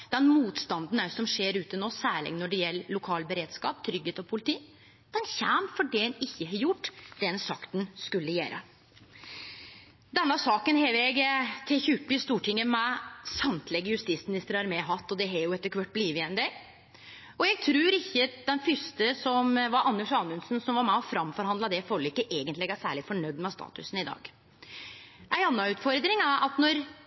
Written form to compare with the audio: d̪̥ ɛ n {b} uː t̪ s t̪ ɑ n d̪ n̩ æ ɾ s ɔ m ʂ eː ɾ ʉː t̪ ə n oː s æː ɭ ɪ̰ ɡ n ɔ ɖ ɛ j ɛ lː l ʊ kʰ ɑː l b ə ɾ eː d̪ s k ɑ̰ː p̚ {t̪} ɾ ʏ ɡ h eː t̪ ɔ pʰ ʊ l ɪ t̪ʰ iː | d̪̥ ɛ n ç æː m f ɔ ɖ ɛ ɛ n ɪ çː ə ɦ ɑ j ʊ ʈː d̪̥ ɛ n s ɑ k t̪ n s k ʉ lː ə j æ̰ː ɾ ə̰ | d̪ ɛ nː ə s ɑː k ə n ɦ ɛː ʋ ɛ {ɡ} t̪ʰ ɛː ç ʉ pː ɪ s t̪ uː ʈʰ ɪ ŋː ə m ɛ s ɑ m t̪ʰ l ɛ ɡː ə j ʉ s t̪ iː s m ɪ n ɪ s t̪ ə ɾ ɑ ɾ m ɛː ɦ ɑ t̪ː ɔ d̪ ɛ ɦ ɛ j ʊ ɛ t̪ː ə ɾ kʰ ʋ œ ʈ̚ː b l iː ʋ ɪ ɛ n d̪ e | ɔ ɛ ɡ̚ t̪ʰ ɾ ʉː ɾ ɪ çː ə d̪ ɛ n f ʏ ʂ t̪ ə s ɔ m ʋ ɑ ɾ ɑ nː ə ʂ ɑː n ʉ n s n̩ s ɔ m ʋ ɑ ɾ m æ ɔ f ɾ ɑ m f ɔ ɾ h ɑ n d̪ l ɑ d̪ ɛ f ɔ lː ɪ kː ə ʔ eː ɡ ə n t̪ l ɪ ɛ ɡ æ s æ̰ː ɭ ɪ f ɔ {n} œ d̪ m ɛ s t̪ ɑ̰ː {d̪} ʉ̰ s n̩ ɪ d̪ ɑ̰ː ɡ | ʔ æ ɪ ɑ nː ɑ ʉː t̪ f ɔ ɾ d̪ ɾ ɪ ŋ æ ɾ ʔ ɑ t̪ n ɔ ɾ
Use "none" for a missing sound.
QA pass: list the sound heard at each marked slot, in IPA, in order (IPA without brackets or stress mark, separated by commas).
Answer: m, t̪ʰ, ɡ, ɳ, t̪